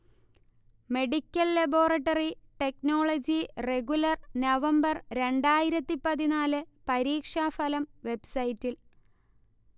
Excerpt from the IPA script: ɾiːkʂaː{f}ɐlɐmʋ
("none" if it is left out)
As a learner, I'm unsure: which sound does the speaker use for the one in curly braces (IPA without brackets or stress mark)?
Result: f